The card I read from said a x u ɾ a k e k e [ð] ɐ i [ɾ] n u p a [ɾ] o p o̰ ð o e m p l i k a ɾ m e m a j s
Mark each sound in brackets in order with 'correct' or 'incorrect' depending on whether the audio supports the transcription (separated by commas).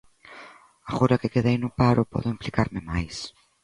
correct, incorrect, correct